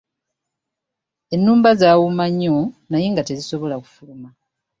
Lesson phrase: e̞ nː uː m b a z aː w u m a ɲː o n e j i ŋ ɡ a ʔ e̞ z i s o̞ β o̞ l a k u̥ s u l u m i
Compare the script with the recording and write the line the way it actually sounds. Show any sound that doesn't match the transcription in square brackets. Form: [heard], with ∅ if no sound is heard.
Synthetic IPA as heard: e̞ nː uː m b a z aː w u m a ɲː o n [a] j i ŋ ɡ a [t] e̞ z i s o̞ β o̞ l a k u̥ [f] u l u m [a]